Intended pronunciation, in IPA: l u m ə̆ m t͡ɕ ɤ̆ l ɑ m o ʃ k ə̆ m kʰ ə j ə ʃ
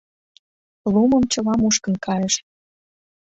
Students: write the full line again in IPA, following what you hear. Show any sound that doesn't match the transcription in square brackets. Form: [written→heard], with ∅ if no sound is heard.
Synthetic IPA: l u m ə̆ m t͡ɕ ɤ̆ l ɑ m [o→u] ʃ k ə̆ [m→n] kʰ [ə→ɑ] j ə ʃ